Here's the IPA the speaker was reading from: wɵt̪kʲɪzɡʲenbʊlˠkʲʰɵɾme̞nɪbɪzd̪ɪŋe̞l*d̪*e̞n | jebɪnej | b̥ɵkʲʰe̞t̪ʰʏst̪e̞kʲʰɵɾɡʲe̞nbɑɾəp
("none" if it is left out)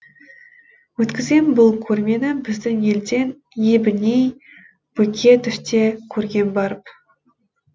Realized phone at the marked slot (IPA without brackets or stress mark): d̪